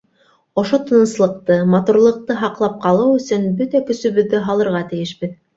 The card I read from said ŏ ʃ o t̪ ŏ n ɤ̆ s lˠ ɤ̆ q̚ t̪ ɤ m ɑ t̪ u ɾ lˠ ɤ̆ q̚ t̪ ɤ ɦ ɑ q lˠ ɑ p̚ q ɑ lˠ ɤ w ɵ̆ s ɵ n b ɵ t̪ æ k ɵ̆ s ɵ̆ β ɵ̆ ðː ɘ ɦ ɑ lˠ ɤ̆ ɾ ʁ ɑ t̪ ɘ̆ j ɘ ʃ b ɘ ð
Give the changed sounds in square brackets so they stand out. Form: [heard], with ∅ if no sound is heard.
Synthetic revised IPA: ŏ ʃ o t̪ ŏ n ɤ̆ s lˠ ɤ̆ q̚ t̪ ɤ m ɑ t̪ u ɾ lˠ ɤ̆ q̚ t̪ ɤ ɦ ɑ q lˠ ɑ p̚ q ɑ lˠ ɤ w ɵ̆ s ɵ n b ɵ t̪ æ k ɵ̆ s ɵ̆ β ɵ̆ ðː ɘ ɦ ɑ lˠ ɤ̆ ɾ ʁ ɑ t̪ ɘ̆ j ɘ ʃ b ɘ ð